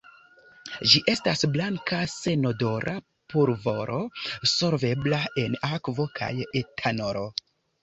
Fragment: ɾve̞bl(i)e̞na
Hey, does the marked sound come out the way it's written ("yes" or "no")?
no